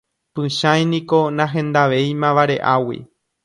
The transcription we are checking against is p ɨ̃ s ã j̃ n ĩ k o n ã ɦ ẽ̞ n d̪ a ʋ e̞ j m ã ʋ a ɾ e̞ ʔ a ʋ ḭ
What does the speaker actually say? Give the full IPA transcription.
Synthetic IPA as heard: p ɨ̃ ʃ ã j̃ n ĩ k o n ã ɦ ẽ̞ n d̪ a ʋ e̞ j m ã ʋ a ɾ e̞ ʔ a w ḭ